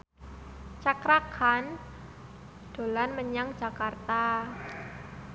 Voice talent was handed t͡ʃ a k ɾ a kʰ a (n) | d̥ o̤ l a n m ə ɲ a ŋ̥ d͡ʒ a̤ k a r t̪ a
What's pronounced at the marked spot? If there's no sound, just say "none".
n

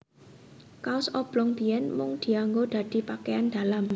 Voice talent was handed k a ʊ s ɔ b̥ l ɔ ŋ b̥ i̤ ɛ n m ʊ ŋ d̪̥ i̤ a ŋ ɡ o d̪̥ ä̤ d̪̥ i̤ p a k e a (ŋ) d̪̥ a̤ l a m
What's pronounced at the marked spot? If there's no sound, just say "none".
n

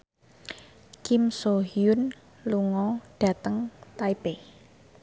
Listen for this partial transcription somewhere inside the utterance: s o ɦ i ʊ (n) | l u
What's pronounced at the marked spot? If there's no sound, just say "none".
n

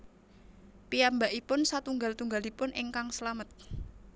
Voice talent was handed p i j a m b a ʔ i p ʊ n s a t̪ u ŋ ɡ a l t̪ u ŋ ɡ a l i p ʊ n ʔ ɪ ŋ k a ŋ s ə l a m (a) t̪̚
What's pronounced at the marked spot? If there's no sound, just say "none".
ə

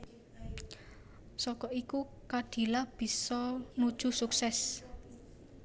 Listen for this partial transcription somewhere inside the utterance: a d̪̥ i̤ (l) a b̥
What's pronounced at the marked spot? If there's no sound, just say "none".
l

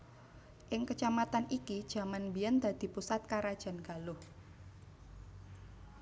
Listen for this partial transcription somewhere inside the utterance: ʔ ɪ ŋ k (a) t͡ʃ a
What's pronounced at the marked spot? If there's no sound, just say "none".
ə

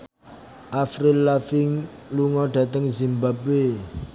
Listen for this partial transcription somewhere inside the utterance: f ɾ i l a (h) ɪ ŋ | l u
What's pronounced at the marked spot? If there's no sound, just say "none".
f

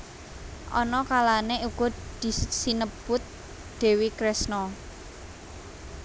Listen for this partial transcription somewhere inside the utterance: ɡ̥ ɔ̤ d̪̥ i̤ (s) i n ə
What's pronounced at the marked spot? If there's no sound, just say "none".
s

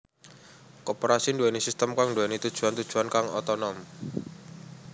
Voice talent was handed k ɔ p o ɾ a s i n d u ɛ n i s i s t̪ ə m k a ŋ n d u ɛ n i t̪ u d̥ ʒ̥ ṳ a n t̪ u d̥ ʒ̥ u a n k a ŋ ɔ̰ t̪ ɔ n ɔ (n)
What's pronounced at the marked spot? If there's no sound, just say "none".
m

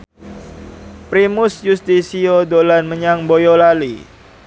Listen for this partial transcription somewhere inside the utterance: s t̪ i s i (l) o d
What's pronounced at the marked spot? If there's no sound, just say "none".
none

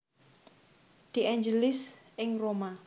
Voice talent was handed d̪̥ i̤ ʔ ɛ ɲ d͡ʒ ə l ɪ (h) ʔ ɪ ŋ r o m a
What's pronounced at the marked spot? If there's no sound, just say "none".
s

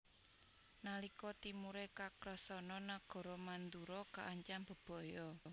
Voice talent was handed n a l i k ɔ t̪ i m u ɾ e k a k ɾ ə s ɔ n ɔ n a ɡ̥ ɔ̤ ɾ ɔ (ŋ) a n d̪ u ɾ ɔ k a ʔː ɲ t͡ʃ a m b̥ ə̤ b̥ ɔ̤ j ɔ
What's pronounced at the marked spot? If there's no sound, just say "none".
m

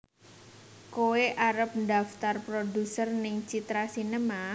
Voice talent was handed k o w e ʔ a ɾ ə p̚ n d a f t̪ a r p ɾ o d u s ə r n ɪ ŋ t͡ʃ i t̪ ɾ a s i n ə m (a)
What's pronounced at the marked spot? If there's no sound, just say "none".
a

